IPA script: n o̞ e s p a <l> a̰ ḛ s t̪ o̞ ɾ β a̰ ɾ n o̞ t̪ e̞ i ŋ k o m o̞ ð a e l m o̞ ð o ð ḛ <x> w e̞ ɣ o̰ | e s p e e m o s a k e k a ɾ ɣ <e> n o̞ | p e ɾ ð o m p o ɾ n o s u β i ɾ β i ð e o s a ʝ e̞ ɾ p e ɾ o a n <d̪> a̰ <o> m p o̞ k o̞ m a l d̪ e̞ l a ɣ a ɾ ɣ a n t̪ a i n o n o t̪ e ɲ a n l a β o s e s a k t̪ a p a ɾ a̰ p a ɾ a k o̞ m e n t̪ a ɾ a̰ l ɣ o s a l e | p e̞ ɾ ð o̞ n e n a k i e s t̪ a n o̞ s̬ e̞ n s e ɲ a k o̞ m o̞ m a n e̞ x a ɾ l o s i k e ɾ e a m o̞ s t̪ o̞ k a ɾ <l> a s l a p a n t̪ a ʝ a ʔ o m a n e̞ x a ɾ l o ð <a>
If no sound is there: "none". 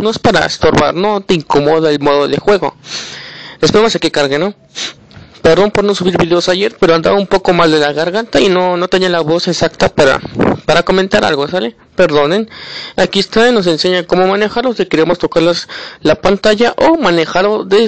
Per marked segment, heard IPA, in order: ɾ, x, e, d̪, u, l, e

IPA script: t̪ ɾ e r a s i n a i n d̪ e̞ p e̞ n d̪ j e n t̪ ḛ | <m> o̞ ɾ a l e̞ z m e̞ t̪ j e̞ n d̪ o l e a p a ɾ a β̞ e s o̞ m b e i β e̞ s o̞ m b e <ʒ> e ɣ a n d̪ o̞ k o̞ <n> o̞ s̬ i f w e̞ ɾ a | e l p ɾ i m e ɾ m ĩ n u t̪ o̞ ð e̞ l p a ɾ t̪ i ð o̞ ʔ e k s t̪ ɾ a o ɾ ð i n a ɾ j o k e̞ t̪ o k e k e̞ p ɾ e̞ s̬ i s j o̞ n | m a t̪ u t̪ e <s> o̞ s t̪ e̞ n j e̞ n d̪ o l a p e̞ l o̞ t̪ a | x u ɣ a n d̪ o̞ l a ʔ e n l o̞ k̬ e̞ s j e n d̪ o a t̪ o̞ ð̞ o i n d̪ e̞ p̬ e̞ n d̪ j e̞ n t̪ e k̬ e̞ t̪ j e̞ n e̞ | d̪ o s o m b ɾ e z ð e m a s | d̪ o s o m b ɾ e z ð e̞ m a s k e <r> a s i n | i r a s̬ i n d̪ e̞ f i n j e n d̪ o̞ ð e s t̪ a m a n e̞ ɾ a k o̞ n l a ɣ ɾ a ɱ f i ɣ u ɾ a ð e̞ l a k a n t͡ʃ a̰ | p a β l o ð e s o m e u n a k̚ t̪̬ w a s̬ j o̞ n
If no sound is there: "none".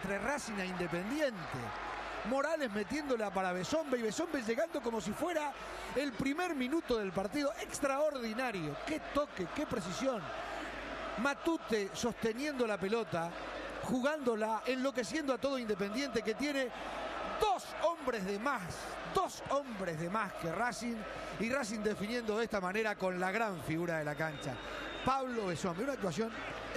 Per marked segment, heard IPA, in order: m, ʒ, m, s, r

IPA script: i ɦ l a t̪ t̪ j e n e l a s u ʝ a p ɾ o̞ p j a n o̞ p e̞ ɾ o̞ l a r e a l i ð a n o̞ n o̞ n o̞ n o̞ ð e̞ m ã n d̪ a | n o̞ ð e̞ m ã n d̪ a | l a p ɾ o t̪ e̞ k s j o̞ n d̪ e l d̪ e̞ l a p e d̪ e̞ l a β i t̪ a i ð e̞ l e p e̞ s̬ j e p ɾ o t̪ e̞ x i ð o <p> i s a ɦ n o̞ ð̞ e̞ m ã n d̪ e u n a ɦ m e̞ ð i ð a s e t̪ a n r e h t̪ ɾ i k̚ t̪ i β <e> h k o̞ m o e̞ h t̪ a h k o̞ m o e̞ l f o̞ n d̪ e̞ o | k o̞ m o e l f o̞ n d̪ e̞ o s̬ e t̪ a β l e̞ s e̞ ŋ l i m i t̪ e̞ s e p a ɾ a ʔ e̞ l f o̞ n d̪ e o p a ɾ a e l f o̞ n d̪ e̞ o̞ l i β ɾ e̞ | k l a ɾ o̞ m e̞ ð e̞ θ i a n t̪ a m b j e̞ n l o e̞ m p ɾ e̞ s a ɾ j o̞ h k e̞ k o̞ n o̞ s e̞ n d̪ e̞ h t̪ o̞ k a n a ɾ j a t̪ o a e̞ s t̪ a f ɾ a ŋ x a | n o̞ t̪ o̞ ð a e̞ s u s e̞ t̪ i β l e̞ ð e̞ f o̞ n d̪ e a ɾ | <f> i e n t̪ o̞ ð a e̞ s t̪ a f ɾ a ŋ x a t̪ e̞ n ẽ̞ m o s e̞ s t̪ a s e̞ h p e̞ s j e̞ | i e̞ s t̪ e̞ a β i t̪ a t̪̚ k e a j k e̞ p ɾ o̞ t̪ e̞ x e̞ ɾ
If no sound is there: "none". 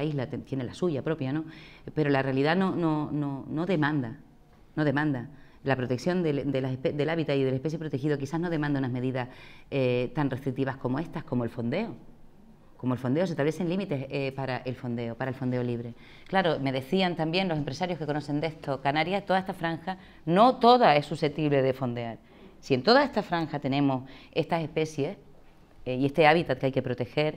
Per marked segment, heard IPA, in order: k, a, s

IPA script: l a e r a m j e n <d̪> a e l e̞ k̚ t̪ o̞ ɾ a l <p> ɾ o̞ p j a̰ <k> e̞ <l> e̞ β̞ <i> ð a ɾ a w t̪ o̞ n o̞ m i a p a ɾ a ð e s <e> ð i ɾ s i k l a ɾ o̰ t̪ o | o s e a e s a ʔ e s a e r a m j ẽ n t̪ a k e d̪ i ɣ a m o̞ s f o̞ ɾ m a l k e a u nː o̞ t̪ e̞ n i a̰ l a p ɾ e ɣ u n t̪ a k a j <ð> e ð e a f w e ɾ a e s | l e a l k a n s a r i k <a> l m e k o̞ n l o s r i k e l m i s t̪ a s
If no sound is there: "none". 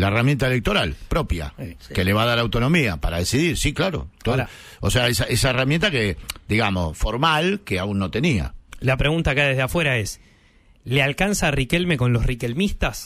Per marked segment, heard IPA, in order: t̪, p, k, l, a, i, ð, e

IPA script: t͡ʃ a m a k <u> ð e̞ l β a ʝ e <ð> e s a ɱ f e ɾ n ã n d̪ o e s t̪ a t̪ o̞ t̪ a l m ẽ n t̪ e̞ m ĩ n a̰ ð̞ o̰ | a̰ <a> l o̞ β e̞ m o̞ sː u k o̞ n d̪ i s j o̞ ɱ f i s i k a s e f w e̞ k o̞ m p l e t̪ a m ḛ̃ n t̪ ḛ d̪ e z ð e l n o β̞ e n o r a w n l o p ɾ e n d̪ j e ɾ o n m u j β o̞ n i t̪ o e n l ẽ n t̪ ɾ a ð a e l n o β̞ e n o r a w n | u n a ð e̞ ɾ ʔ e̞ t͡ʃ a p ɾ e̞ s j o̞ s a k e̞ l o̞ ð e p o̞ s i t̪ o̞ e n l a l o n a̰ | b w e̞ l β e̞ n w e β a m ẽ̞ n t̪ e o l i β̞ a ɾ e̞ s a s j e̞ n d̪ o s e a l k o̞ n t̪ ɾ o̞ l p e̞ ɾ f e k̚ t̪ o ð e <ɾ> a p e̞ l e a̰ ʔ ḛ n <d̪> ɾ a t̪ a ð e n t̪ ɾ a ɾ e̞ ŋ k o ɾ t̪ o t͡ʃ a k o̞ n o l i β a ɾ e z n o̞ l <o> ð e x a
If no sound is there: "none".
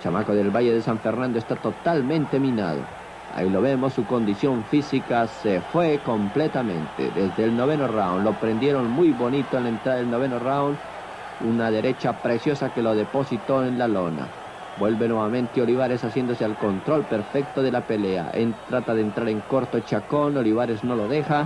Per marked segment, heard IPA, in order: o, ð, i, l, t̪, o

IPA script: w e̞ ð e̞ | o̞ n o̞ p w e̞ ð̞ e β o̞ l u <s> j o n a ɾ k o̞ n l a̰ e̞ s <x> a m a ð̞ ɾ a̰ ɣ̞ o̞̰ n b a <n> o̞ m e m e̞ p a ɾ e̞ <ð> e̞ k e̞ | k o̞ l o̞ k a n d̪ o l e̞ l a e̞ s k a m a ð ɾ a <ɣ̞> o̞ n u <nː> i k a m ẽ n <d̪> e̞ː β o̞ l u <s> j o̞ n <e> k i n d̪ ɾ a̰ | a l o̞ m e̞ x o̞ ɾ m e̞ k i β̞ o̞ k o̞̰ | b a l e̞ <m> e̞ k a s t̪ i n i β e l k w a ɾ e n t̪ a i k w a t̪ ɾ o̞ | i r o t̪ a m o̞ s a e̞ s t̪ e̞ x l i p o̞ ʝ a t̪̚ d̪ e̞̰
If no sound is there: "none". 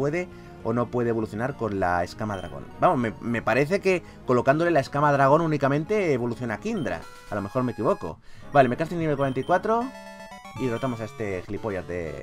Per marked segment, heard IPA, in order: θ, k, m, θ, ɣ̞, n, t̪, θ, a, m

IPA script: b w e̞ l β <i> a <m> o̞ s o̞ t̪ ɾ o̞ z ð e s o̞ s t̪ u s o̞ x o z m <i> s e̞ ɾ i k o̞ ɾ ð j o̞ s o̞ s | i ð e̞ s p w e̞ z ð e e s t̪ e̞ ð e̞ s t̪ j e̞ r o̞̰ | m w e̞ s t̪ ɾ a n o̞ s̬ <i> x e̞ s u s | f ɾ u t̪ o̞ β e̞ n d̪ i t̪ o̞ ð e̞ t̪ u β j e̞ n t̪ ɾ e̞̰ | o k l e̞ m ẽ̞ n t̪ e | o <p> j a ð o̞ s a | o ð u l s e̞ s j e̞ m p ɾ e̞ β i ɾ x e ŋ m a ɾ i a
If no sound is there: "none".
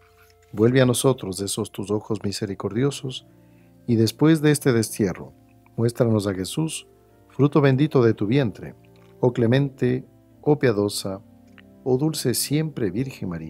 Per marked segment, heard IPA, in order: e, n, i, a, p

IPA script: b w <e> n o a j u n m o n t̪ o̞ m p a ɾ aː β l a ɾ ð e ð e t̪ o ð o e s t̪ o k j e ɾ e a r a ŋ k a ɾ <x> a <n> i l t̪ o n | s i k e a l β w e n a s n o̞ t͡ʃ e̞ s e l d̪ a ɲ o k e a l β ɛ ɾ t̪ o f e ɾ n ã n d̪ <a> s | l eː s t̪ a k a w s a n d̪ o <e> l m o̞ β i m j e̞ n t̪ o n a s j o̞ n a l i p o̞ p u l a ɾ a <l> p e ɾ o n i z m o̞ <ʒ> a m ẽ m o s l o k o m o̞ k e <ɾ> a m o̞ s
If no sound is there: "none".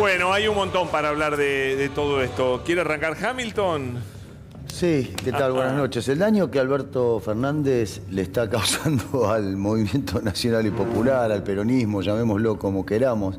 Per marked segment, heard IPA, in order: e, x, m, e, a, l, ʒ, ɾ

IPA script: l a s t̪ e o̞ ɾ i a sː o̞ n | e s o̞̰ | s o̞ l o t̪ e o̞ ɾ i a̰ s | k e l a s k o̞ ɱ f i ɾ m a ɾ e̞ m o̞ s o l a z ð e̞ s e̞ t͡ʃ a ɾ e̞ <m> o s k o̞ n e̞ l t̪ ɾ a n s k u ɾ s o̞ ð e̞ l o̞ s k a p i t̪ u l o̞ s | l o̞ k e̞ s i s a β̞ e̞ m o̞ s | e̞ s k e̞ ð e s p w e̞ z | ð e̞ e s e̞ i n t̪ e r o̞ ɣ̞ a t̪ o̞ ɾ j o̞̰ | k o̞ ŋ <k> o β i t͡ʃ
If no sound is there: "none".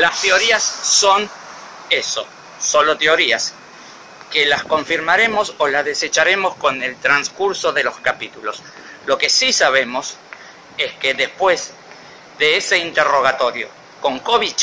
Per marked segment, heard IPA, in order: m, k

